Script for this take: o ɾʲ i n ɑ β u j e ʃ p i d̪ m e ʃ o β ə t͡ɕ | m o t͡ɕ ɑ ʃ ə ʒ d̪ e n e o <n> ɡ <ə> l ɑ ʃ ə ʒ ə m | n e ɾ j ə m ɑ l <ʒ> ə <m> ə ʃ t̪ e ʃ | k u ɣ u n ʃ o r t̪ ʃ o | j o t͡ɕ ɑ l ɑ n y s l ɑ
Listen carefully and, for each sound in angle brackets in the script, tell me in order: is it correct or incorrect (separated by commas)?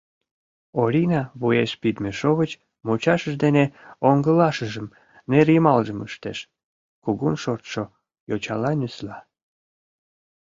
incorrect, correct, correct, correct